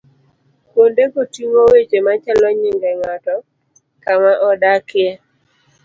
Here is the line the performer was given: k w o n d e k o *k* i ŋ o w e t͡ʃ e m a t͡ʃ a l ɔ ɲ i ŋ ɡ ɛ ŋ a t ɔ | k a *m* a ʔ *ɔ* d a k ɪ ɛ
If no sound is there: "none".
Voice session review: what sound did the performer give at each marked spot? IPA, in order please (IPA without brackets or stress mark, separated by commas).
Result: t, m, ɔ